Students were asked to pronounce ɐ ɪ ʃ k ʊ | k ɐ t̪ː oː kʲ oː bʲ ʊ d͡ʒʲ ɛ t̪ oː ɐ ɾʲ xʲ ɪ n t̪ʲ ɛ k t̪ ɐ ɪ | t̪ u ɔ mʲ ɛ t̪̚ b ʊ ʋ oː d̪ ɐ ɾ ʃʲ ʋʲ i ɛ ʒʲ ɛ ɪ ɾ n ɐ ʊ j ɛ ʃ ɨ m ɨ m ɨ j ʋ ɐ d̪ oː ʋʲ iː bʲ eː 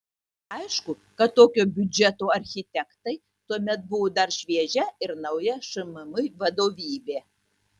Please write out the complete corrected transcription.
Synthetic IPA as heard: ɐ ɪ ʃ k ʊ | k ɐ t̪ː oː kʲ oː bʲ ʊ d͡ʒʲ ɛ t̪ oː ɐ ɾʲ xʲ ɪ t̪ʲ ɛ k t̪ ɐ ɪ | t̪ u ɔ mʲ ɛ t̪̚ b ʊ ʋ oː d̪ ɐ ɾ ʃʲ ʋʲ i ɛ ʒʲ ɛ ɪ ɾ n ɐ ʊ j ɛ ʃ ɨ m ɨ m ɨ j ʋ ɐ d̪ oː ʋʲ iː bʲ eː